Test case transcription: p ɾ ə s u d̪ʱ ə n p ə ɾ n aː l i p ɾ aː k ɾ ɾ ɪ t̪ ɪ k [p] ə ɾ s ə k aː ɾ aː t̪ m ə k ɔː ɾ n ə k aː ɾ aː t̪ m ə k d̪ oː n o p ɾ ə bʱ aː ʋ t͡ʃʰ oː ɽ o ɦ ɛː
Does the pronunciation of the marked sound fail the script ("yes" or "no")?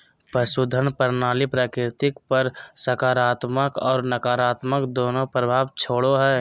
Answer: no